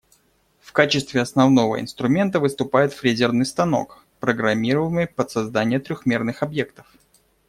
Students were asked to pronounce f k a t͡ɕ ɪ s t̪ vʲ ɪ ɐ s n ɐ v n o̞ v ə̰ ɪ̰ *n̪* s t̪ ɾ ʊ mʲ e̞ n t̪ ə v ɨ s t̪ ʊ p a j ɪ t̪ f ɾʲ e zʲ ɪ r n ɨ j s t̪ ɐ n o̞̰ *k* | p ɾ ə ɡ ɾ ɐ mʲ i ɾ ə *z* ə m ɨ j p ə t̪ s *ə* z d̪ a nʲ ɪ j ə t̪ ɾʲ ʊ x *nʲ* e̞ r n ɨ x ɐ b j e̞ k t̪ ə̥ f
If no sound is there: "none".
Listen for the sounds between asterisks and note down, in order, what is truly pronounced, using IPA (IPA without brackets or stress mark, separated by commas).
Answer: n̪, k, v, ɐ, mʲ